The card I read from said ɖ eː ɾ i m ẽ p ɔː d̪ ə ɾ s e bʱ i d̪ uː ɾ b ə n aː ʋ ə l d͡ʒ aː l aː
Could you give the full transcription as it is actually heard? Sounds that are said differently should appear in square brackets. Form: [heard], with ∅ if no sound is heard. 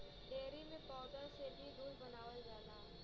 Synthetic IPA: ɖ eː ɾ i m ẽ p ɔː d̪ ə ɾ s e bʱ i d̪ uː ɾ b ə n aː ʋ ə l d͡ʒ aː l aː